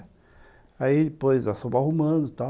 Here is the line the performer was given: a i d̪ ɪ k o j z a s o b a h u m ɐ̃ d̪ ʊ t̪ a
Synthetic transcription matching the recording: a i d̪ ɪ p o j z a s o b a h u m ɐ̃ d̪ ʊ t̪ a